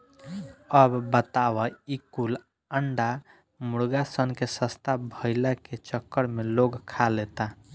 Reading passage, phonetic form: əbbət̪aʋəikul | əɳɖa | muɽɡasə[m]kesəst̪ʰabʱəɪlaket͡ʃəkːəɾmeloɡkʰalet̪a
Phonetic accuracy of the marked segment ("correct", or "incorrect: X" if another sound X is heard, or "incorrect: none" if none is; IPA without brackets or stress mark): incorrect: n